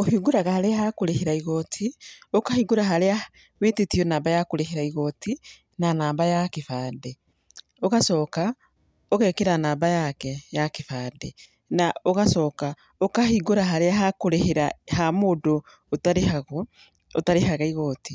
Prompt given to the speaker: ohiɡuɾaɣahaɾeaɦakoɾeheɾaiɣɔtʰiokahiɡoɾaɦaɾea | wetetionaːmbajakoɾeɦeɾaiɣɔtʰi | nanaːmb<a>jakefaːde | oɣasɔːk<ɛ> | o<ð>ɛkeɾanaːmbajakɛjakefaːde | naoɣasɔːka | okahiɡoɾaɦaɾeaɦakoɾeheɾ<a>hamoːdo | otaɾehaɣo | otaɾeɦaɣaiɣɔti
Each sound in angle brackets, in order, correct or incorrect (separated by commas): correct, incorrect, incorrect, correct